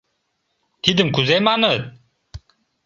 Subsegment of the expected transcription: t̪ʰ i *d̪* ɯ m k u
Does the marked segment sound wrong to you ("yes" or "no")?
no